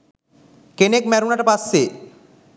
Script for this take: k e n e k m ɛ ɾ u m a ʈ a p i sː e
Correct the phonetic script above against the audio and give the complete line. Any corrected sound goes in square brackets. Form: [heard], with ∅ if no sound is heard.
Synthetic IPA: k e n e k m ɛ ɾ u [n] a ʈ a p [a] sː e